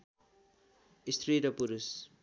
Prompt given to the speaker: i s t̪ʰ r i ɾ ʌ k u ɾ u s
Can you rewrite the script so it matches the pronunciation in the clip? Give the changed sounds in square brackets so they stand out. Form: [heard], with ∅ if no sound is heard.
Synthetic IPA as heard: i s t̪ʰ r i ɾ ʌ [p] u ɾ u s